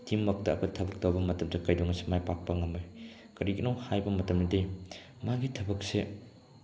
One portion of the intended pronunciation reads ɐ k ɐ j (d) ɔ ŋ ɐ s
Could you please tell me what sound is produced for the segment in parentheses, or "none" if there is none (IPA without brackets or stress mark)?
d